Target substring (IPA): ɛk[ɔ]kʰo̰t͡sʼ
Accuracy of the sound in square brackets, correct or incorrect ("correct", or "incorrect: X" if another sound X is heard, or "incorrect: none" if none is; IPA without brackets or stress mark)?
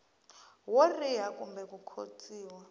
incorrect: u